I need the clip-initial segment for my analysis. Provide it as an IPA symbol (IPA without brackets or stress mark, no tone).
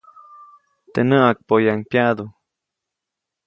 t̪